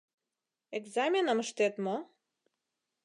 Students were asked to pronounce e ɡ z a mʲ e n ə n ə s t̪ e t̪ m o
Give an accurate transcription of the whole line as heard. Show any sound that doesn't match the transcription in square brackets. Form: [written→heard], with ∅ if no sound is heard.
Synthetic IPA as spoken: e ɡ z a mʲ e n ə [n→m] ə [s→ʃ] t̪ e t̪ m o